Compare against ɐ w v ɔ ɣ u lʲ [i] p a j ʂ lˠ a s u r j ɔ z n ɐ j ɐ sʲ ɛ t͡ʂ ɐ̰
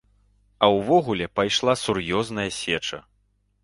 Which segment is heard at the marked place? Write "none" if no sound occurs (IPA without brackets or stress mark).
ɛ